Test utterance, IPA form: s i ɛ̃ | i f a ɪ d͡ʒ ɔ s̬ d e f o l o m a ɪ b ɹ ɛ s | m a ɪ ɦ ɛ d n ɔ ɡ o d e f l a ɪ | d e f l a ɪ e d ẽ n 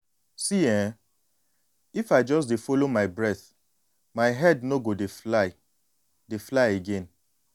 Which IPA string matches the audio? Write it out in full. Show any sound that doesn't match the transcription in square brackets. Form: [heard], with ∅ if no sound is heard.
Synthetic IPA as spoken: s i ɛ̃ | i f a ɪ d͡ʒ ɔ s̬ d e f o l o m a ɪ b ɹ ɛ [θ] | m a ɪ ɦ ɛ d n [o] ɡ o d e f l a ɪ | d e f l a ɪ e [ɡ] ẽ n